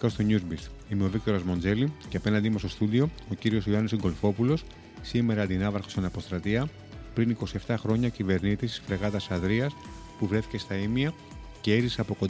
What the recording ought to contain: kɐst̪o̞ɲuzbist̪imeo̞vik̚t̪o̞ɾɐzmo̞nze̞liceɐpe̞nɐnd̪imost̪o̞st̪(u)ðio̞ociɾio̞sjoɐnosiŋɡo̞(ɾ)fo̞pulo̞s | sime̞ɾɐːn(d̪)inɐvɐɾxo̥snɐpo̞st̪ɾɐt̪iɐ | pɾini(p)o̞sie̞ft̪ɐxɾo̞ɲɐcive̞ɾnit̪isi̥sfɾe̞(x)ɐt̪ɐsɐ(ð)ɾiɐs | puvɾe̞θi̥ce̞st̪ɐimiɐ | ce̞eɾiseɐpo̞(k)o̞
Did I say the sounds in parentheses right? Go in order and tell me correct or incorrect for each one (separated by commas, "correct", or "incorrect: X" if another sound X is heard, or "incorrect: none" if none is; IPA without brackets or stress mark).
correct, incorrect: l, correct, incorrect: k, incorrect: ɣ, correct, correct